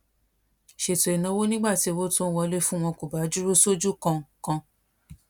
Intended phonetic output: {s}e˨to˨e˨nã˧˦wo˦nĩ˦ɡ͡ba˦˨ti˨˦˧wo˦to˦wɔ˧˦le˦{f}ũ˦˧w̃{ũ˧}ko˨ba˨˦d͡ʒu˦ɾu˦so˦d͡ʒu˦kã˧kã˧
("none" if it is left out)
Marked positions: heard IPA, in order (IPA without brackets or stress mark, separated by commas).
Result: ʃ, f, ɔ̃˧